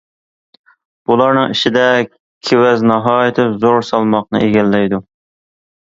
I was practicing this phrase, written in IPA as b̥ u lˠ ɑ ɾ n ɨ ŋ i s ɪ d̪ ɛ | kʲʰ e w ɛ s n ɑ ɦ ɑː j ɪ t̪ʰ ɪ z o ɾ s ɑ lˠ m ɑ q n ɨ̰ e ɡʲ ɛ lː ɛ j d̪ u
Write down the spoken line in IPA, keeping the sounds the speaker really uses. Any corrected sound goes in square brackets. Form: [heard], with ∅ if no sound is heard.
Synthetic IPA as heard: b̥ u lˠ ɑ ɾ n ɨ ŋ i [ʃ] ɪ d̪ ɛ | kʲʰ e w ɛ [z] n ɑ ɦ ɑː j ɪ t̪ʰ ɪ z o ɾ s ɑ lˠ m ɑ q n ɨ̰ e ɡʲ ɛ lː ɛ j d̪ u